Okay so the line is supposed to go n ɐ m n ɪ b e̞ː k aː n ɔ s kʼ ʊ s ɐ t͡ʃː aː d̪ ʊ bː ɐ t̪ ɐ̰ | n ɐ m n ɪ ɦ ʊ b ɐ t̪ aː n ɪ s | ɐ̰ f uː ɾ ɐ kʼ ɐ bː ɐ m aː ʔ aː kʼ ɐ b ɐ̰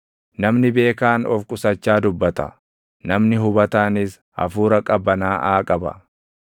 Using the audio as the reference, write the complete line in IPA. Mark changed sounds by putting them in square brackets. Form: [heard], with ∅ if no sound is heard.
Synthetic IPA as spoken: n ɐ m n ɪ b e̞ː k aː n ɔ [f] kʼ ʊ s ɐ t͡ʃː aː d̪ ʊ bː ɐ t̪ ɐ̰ | n ɐ m n ɪ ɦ ʊ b ɐ t̪ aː n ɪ s | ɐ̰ f uː ɾ ɐ kʼ ɐ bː ɐ [n] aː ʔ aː kʼ ɐ b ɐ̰